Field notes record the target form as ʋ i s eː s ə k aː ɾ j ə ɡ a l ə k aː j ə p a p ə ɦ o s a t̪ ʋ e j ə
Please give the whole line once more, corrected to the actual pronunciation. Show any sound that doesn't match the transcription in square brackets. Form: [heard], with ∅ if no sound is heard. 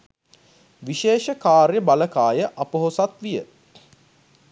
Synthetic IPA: ʋ i [ʃ] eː [ʃ] ə k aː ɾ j ə [b] a l ə k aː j ə [ʔ] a p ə ɦ o s a t̪ ʋ [i] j ə